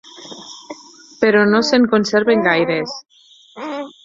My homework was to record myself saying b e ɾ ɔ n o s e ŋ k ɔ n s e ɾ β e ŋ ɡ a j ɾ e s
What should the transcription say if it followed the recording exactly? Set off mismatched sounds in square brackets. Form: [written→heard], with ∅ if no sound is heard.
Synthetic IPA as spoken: [b→p] e ɾ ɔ n o s e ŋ k [ɔ→o] n s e ɾ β e ŋ ɡ a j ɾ e s